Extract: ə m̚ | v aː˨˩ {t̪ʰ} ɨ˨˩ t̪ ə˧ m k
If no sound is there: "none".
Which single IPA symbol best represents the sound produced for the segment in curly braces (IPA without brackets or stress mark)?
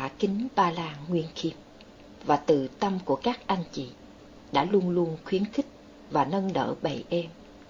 t̪